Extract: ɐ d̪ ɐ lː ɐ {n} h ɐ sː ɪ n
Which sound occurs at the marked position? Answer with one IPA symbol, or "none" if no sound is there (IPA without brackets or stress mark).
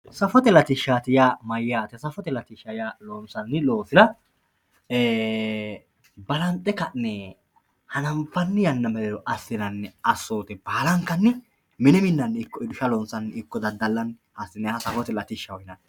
n